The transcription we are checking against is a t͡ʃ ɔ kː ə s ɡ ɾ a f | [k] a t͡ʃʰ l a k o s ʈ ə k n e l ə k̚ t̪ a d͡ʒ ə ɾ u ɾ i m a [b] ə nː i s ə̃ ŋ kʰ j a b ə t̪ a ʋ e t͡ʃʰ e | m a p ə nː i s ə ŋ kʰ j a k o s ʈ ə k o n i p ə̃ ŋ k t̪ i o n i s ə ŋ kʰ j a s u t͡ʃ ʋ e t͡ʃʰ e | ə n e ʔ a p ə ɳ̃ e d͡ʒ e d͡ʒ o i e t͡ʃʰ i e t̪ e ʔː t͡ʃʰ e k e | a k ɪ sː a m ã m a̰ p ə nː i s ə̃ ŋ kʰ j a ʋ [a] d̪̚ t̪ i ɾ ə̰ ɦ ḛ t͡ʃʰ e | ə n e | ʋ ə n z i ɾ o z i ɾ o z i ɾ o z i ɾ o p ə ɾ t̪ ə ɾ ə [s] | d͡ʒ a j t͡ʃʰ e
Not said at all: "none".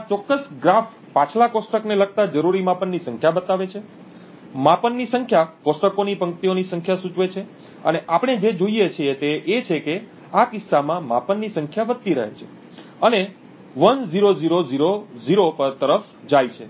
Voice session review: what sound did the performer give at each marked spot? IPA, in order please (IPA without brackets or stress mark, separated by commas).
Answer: p, p, ə, f